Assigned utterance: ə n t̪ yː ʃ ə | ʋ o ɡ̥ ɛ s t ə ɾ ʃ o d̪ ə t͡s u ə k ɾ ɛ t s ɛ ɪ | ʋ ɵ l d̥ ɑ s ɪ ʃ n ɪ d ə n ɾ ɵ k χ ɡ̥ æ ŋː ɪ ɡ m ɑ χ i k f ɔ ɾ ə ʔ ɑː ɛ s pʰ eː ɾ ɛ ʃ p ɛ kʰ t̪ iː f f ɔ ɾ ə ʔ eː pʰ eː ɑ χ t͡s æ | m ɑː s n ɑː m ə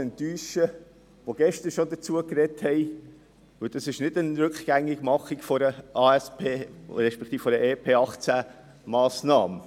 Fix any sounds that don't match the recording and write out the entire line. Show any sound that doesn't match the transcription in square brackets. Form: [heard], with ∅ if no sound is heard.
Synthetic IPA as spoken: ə n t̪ yː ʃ ə | ʋ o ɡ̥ ɛ [ʃ] t ə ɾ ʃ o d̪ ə t͡s u ə k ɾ ɛ t [h] ɛ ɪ | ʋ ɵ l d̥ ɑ s ɪ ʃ n ɪ d ə n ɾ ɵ k χ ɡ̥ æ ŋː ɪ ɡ m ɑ χ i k f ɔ ɾ ə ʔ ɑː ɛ s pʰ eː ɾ ɛ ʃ p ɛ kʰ t̪ iː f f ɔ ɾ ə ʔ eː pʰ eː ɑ χ t͡s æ | m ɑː s n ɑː m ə